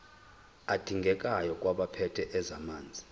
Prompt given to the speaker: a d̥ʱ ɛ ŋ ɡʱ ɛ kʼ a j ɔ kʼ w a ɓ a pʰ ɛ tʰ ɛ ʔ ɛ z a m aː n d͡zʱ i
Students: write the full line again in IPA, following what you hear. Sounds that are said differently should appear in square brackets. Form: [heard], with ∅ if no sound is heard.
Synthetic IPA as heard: a d̥ʱ [i] ŋ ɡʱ ɛ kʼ a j ɔ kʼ w a ɓ a pʰ ɛ tʰ ɛ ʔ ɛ z a m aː n d͡zʱ i